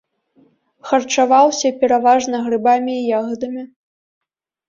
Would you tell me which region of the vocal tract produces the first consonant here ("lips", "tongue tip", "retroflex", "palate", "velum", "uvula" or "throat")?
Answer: velum